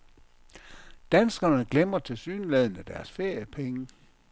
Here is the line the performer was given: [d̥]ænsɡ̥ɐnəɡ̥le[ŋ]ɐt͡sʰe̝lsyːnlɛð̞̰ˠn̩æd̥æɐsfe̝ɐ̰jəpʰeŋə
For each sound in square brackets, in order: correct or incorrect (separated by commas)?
correct, incorrect